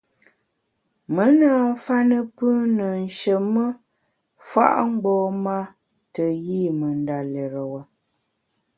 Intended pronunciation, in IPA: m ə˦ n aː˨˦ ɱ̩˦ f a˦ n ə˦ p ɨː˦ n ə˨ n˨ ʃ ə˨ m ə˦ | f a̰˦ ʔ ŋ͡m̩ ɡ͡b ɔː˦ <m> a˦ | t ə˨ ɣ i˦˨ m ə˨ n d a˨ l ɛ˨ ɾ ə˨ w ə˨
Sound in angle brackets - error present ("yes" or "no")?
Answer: no